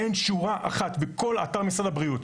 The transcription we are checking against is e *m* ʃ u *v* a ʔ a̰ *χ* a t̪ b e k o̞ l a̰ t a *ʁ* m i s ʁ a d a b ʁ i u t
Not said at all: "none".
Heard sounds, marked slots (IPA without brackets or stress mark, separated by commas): n, ʁ, χ, ʁ